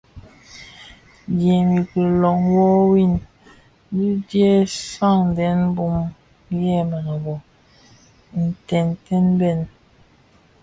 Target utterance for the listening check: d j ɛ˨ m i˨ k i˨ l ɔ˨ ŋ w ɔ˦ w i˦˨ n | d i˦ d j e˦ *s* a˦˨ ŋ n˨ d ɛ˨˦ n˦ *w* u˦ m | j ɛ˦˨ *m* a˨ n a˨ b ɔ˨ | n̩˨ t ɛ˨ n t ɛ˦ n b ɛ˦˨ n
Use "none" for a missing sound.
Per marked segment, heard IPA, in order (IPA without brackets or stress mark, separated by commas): s, b, m